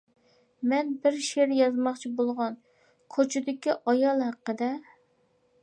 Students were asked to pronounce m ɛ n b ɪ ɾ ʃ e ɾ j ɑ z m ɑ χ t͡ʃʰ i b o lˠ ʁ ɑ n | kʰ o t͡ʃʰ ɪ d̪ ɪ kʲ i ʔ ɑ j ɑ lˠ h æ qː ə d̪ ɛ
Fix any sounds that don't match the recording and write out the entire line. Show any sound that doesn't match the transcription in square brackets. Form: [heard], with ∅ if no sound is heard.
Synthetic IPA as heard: m ɛ n b ɪ ɾ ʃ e ɾ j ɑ z m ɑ χ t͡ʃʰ i b o lˠ ʁ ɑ n | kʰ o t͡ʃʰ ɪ d̪ ɪ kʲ i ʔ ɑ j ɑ lˠ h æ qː ə d̪ ɛ